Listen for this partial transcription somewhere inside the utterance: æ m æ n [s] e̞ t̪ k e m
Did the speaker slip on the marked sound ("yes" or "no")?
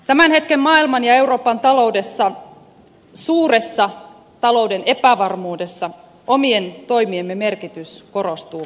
yes